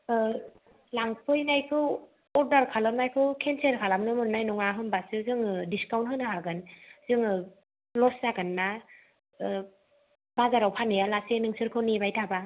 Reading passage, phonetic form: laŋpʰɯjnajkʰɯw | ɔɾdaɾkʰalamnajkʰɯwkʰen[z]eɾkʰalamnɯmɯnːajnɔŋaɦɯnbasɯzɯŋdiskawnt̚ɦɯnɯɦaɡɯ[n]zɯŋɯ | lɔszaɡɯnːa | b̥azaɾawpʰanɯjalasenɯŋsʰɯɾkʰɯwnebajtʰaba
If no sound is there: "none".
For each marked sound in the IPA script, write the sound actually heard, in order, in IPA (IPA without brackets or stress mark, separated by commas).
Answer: s, n